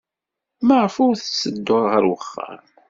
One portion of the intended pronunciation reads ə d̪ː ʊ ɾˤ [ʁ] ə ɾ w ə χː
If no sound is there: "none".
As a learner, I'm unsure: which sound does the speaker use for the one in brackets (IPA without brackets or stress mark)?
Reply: ʁ